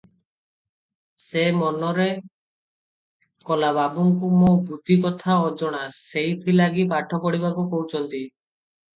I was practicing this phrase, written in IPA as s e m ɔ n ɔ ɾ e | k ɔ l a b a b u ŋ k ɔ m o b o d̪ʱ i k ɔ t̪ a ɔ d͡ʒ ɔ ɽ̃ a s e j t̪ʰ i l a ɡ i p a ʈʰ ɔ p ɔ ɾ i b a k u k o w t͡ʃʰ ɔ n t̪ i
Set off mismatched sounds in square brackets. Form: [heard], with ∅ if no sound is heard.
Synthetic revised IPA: s e m ɔ n ɔ ɾ e | k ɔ l a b a b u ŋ k [u] m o b [u] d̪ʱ i k ɔ [t̪ʰ] a ɔ d͡ʒ ɔ ɽ̃ a s e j t̪ʰ i l a ɡ i p a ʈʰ ɔ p ɔ [ɽ] i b a k u k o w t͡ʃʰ ɔ n t̪ i